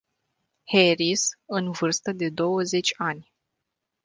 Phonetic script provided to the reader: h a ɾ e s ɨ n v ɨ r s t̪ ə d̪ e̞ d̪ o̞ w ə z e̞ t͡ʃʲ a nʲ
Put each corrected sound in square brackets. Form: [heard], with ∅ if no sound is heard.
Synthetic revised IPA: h [e] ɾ [i] s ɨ n v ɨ r s t̪ ə d̪ e̞ d̪ o̞ w ə z e̞ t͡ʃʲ a nʲ

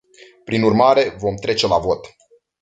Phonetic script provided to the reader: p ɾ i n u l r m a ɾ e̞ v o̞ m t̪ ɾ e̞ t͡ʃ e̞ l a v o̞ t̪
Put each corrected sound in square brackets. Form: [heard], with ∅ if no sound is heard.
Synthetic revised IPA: p ɾ i n u [∅] r m a ɾ e̞ v o̞ m t̪ ɾ e̞ t͡ʃ e̞ l a v o̞ t̪

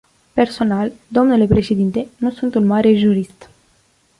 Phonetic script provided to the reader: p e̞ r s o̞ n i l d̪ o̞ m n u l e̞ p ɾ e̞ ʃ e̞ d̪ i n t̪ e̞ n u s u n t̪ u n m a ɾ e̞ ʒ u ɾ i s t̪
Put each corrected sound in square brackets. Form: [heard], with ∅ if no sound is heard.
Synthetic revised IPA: p e̞ r s o̞ n [a] l d̪ o̞ m n u l e̞ p ɾ e̞ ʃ e̞ d̪ i n t̪ e̞ n u s u n t̪ u n m a ɾ e̞ ʒ u ɾ i s t̪

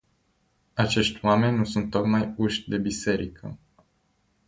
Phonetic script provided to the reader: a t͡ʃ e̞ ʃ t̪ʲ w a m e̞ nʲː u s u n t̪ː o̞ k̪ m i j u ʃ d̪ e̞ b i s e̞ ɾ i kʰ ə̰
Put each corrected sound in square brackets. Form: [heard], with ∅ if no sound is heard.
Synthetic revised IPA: a t͡ʃ e̞ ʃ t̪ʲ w a m e̞ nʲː u s u n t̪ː o̞ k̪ m [a] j u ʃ d̪ e̞ b i s e̞ ɾ i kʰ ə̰

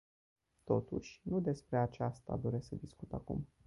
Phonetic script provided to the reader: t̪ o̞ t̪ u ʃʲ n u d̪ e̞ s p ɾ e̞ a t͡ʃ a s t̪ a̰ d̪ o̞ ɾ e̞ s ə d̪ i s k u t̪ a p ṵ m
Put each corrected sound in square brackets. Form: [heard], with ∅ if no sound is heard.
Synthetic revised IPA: t̪ o̞ t̪ u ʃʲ n u d̪ e̞ s p ɾ e̞ a t͡ʃ a s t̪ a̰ d̪ o̞ ɾ e̞ s ə d̪ i s k u t̪ a [k] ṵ m

